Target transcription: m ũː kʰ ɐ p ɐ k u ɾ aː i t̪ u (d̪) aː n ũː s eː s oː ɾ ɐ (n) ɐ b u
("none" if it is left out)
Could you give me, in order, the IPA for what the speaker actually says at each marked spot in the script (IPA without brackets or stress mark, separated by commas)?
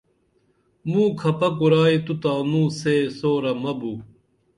t̪, m